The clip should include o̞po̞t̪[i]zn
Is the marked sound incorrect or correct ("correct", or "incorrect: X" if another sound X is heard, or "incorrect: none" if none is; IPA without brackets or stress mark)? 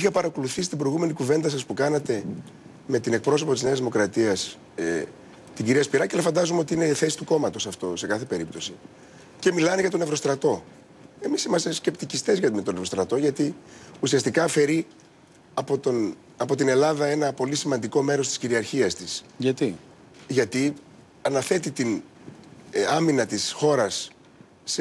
correct